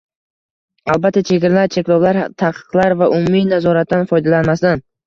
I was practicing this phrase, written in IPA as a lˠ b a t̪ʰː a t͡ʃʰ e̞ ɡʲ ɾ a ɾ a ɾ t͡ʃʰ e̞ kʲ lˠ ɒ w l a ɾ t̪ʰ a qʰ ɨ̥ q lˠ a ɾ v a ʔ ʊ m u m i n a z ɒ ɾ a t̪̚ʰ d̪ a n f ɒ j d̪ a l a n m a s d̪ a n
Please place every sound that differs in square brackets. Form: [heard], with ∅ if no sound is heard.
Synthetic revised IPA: a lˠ b a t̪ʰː a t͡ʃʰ e̞ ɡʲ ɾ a [l] a ɾ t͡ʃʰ e̞ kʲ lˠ ɒ w l a ɾ t̪ʰ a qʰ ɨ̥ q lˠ a ɾ v a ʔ ʊ m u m i n a z ɒ ɾ a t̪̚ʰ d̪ a n f ɒ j d̪ a l a n m a s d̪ a n